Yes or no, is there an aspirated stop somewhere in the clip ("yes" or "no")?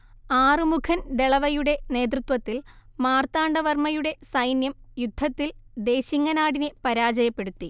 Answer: yes